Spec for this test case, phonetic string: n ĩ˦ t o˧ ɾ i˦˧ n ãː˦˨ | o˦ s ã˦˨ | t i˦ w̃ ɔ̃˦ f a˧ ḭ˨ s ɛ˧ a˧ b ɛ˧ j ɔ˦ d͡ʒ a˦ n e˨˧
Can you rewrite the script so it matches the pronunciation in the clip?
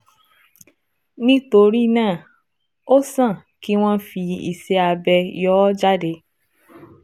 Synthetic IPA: n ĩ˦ t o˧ ɾ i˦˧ n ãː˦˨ | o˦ s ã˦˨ | k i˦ w̃ ɔ̃˦ f i˧ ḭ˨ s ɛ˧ a˧ b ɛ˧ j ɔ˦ d͡ʒ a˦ d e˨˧

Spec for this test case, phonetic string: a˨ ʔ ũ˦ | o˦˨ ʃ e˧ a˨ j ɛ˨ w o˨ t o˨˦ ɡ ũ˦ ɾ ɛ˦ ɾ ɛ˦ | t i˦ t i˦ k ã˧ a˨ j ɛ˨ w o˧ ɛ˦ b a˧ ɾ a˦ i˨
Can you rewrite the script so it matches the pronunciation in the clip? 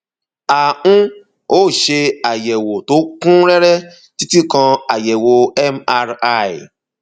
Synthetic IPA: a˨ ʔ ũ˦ | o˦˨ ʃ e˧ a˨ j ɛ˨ w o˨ t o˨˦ k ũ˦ ɾ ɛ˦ ɾ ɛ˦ | t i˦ t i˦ k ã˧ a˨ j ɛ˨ w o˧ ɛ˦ m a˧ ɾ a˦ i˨

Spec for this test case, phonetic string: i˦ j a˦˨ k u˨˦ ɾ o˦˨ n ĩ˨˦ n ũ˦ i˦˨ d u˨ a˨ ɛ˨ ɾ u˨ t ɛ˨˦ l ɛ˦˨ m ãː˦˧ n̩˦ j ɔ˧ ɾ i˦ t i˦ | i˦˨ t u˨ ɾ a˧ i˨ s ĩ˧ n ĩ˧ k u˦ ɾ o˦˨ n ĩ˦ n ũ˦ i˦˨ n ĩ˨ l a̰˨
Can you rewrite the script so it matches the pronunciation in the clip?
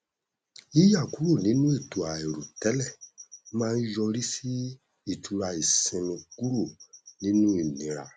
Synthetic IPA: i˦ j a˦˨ k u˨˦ ɾ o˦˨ n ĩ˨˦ n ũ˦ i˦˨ t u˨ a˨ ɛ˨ ɾ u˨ t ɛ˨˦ l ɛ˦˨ m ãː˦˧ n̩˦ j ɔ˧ ɾ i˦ s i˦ | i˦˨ t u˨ ɾ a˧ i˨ s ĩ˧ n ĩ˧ k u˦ ɾ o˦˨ n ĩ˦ n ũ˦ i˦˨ n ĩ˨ ɾ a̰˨

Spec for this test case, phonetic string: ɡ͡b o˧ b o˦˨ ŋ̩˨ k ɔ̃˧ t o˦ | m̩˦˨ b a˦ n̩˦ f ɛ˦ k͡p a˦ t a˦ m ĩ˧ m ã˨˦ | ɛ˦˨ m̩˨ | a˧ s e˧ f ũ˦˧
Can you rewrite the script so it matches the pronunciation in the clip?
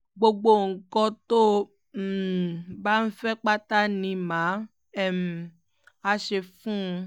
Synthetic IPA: ɡ͡b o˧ ɡ͡b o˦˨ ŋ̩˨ k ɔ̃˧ t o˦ | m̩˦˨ b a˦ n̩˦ f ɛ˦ k͡p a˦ t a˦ n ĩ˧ m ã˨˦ | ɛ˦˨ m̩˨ | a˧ ʃ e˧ f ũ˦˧

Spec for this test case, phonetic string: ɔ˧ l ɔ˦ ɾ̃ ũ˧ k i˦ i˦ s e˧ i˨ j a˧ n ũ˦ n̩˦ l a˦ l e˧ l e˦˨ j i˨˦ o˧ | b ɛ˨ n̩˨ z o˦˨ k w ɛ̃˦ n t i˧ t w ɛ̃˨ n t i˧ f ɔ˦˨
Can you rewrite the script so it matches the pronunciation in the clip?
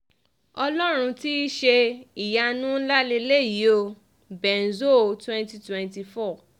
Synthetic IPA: ɔ˧ l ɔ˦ ɾ̃ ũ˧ t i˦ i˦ ʃ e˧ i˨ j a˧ n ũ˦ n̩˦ l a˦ l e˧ l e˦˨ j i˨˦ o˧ | b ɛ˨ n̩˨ z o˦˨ t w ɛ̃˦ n t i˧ t w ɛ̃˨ n t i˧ f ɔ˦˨

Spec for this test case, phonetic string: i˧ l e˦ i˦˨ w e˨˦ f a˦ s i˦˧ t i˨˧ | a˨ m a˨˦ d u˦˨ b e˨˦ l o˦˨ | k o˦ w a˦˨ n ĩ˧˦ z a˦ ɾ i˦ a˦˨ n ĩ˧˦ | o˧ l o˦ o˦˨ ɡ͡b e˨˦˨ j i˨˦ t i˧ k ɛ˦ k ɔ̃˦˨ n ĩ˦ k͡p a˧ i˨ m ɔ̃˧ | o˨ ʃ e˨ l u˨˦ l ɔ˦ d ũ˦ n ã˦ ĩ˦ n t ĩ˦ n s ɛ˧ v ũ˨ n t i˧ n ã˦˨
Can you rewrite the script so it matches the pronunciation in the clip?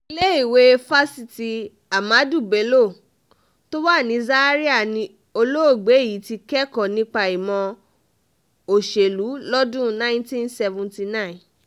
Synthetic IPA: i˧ l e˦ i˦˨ w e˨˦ f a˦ s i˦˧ t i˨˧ | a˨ m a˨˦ d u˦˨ b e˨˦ l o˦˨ | t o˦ w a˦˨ n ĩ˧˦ z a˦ ɾ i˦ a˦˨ n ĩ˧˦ | o˧ l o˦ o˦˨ ɡ͡b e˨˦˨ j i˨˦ t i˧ k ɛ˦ k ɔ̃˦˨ n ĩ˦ k͡p a˧ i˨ m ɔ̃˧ | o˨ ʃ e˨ l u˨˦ l ɔ˦ d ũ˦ n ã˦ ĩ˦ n t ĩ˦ n s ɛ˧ v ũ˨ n t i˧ n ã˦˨

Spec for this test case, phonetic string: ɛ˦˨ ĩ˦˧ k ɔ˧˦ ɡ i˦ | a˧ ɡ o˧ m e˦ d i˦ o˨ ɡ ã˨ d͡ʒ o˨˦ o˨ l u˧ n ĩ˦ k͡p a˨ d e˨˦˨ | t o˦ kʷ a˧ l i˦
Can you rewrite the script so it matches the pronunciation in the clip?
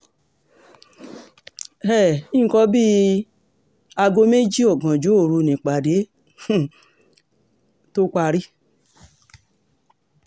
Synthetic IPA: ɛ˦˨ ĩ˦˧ k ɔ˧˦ b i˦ | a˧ ɡ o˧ m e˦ d͡ʒ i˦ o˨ ɡ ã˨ d͡ʒ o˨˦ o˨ ɾ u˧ n ĩ˨ k͡p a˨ d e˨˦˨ | t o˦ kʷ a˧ ɾ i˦

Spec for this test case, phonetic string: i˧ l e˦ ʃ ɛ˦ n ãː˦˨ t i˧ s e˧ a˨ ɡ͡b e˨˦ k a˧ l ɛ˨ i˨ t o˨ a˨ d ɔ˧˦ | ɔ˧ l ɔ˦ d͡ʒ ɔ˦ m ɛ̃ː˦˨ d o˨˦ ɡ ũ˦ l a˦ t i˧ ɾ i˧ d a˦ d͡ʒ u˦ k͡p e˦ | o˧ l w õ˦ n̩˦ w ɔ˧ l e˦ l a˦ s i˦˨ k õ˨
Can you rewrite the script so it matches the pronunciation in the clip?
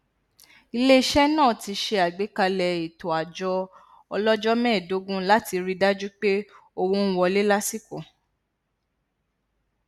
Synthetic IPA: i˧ l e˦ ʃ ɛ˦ n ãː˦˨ t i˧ ʃ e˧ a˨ ɡ͡b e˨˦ k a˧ l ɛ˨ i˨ t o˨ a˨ d͡ʒ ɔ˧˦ | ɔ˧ l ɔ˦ d͡ʒ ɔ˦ m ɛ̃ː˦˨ d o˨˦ ɡ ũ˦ l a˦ t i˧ ɾ i˧ d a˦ d͡ʒ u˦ k͡p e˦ | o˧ w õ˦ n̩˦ w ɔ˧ l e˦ l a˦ s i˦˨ k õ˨

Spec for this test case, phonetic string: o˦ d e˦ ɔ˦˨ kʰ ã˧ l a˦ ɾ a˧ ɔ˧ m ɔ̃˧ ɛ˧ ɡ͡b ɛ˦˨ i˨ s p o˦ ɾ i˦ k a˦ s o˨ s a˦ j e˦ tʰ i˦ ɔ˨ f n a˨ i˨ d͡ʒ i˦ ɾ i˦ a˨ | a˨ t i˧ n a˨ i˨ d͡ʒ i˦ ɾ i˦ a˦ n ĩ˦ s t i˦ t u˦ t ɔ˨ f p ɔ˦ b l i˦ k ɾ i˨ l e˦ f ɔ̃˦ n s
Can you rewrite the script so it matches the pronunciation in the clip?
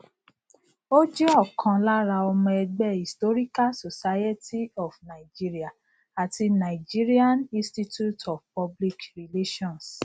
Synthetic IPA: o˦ d͡ʒ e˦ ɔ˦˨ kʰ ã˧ l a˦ ɾ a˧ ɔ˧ m ɔ̃˧ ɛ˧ ɡ͡b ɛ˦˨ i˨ s t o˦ ɾ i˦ k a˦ s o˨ s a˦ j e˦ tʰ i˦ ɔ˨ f n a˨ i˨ d͡ʒ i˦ ɾ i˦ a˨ | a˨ t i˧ n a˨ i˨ d͡ʒ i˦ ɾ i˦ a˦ n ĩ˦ s t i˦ t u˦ t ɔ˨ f p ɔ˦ b l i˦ k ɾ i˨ l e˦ ʃ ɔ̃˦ n s

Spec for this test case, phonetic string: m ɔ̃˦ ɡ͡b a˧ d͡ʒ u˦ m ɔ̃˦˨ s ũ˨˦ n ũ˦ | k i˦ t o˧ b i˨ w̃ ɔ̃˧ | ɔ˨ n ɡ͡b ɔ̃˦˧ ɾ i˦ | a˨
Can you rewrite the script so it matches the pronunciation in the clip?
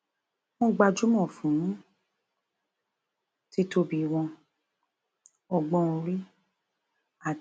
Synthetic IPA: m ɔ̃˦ ɡ͡b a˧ d͡ʒ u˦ m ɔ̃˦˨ f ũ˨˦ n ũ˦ | t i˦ t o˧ b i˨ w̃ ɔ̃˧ | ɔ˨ ɡ͡b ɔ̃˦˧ ɾ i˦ | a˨

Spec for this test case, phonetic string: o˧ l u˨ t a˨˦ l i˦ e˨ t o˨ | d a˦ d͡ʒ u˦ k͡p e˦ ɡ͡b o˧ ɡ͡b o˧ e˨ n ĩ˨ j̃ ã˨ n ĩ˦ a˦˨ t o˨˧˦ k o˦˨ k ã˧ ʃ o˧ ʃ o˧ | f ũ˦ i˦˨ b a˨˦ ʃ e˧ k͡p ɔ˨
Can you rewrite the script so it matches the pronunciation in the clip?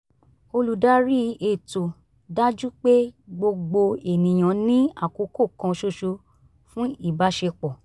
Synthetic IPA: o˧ l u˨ d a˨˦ ɾ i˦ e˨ t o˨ | d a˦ d͡ʒ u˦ k͡p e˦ ɡ͡b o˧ ɡ͡b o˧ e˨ n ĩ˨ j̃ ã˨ n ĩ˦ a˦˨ k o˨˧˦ k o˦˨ k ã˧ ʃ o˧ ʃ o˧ | f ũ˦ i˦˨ b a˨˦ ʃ e˧ k͡p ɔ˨

